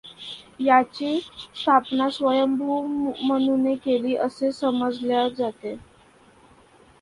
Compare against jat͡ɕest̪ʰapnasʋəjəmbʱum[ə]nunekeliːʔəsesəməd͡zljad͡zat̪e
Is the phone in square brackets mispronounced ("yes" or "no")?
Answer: no